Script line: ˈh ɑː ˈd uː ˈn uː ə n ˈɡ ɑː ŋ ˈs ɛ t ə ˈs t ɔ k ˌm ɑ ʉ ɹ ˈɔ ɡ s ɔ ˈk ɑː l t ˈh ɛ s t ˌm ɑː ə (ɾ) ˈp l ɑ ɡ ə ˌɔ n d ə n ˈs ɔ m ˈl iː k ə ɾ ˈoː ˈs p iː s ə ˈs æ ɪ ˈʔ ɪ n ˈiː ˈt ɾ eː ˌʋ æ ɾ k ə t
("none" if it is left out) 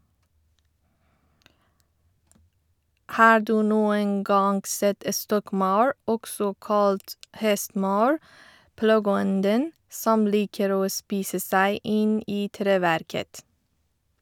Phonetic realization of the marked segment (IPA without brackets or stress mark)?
ɹ